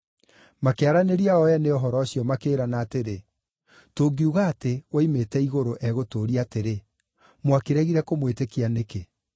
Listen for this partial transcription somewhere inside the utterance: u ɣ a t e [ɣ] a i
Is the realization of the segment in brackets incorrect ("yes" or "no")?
yes